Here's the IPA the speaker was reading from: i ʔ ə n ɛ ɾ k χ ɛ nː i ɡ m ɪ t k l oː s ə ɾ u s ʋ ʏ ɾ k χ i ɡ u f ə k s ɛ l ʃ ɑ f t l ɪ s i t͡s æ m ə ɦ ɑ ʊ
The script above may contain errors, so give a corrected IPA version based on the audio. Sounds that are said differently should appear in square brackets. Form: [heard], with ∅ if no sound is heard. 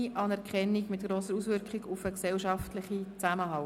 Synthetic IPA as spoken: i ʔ [ɑ] n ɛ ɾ k χ ɛ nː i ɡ m ɪ t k [ɾ] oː s ə ɾ u s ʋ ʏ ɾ k χ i ɡ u f ə k s ɛ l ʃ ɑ f t l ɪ [χ] i t͡s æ m ə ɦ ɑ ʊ